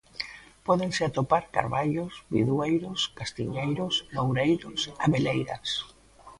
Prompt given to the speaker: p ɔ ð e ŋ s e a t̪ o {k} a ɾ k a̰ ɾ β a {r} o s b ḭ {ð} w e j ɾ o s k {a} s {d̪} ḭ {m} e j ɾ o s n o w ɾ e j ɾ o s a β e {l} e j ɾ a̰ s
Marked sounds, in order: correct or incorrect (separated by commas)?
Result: incorrect, incorrect, correct, correct, incorrect, incorrect, correct